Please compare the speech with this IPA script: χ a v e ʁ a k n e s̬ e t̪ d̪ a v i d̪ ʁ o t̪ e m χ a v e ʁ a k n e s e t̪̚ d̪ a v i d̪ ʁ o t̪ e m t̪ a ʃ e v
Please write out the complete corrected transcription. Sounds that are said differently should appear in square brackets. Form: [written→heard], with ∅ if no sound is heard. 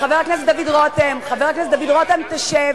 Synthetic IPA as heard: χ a v e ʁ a k n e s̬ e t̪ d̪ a v i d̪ ʁ o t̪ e m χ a v e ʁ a k n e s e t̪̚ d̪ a v i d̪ ʁ o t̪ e m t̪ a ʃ e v